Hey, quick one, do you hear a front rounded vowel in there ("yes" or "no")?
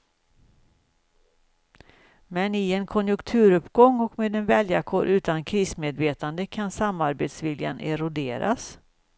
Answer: no